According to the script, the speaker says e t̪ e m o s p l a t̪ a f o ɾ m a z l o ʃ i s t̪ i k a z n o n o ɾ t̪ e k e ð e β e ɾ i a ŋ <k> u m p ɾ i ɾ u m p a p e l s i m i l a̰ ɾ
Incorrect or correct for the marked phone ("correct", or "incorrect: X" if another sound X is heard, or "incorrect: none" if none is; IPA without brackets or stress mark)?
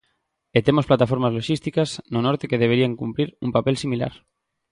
correct